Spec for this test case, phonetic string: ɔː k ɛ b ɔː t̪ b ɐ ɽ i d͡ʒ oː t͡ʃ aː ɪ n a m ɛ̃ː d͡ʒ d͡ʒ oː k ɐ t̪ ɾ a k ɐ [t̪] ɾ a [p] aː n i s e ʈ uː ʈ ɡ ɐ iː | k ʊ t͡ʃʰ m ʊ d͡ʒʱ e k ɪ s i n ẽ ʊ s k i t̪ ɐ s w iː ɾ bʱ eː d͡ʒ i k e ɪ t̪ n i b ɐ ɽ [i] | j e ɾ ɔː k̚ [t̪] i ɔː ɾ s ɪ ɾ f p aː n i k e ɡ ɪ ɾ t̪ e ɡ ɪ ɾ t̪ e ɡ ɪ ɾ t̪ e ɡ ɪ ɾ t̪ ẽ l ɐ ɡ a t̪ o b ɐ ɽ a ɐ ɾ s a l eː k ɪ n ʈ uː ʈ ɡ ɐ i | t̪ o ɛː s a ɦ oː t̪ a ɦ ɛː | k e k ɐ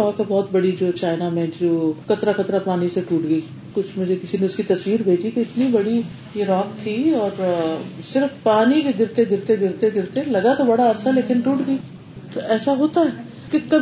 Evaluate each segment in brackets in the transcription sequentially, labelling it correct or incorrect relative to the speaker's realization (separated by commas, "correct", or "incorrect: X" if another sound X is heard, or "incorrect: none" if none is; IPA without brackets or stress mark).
correct, correct, correct, incorrect: t̪ʰ